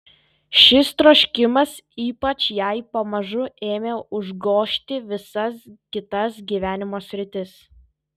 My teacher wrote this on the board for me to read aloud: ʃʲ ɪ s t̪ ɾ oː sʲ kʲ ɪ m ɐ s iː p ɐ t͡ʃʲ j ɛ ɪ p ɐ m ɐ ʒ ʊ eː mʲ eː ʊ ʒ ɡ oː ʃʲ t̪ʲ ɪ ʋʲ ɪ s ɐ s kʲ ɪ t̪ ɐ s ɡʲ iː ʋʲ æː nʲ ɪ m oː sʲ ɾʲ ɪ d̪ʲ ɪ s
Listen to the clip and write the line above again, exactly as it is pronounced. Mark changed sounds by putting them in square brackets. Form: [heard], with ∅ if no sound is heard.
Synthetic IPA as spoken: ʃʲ ɪ s t̪ ɾ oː [ʃʲ] kʲ ɪ m ɐ s iː p ɐ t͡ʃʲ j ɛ ɪ p ɐ m ɐ ʒ ʊ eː mʲ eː ʊ ʒ ɡ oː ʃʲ t̪ʲ ɪ ʋʲ ɪ s ɐ s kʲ ɪ t̪ ɐ s ɡʲ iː ʋʲ æː nʲ ɪ m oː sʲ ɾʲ ɪ [t̪ʲ] ɪ s